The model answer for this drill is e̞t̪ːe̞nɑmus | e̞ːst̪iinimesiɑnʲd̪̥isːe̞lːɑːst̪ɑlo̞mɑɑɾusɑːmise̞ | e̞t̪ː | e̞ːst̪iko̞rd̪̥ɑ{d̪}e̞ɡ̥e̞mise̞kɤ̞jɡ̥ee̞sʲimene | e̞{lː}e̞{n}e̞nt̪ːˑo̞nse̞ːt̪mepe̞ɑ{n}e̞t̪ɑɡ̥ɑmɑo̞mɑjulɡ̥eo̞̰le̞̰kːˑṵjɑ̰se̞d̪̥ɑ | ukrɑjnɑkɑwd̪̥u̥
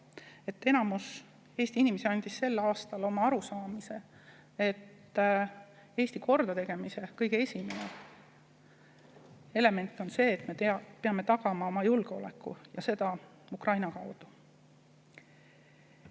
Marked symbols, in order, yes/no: no, no, no, no

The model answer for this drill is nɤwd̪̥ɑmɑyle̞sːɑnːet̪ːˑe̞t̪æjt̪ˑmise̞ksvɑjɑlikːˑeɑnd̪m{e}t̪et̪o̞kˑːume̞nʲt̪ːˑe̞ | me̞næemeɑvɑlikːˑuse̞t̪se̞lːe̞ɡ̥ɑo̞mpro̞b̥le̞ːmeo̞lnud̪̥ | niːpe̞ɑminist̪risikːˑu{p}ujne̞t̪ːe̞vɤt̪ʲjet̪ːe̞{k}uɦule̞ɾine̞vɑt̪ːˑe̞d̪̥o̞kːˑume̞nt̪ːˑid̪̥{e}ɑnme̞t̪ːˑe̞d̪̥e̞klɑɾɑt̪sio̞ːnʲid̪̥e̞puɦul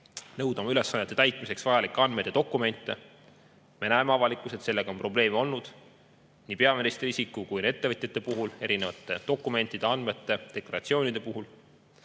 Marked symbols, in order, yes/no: yes, no, no, yes

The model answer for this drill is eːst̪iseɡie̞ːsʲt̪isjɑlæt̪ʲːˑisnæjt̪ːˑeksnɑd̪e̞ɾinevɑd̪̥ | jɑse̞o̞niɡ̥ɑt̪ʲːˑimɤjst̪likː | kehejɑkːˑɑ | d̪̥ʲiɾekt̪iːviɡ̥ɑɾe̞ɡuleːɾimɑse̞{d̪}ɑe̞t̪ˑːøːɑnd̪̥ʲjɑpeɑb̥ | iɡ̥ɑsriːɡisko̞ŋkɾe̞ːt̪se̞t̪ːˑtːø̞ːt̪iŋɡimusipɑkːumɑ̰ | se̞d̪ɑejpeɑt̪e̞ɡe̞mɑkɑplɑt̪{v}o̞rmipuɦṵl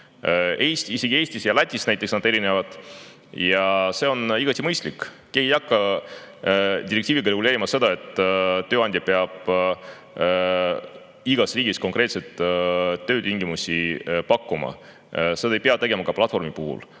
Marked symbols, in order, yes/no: yes, no

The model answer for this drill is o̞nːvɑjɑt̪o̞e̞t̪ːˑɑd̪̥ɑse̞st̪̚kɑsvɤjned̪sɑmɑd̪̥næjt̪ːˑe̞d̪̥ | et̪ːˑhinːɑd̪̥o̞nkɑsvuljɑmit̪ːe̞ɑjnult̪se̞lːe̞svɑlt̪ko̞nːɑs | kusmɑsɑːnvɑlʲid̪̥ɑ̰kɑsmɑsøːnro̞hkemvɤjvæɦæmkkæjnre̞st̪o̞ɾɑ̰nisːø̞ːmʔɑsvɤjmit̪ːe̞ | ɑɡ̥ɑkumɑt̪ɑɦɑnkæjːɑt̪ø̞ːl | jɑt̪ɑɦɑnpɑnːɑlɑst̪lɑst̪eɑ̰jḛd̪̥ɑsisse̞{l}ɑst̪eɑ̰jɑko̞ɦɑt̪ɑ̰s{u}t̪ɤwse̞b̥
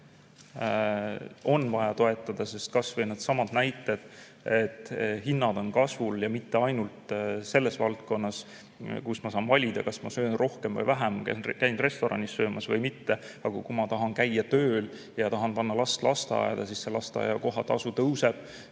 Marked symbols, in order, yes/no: yes, yes

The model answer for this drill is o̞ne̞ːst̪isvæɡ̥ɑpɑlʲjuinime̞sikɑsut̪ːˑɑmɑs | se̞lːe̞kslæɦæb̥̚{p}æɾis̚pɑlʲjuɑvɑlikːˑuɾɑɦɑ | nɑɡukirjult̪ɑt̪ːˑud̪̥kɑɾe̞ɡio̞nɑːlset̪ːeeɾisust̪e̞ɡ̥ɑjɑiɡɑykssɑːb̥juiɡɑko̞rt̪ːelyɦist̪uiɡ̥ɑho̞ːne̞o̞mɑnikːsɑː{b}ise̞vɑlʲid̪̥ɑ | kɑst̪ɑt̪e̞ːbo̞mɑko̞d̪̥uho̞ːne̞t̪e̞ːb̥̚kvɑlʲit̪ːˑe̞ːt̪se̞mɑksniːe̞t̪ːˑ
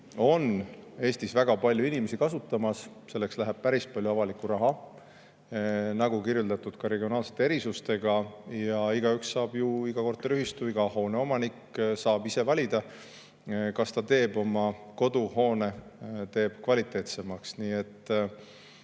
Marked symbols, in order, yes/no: yes, yes

